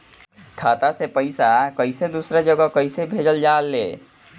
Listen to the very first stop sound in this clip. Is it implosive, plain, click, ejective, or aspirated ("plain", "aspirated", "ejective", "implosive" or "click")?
aspirated